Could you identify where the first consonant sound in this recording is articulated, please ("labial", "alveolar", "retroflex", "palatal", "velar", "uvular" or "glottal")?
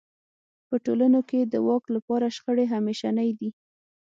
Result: labial